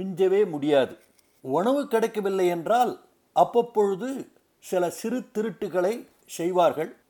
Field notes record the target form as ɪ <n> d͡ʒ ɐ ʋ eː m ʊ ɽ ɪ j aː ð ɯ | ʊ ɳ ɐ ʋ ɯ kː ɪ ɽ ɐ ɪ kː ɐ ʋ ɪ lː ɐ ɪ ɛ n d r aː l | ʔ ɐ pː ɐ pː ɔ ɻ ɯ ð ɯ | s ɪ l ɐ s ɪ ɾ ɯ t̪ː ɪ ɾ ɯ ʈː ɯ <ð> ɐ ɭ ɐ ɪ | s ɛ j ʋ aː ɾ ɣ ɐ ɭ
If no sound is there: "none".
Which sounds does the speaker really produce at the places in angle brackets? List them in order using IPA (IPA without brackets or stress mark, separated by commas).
ɲ, ɣ